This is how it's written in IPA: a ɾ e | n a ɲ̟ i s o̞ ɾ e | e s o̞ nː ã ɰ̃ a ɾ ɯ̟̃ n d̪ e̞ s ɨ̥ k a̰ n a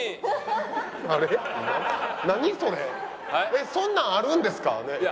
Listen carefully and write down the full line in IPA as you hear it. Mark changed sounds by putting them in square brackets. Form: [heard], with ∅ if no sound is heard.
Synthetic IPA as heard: a ɾ e | n a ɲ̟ i s o̞ ɾ e | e s [õ̞] nː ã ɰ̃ a ɾ ɯ̟̃ n d̪ e̞ s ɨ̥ k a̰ n [e]